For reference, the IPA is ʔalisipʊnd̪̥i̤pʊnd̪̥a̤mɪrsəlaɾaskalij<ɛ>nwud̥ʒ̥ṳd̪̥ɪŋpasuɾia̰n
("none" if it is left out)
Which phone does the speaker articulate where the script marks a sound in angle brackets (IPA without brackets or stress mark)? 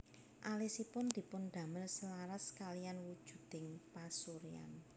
a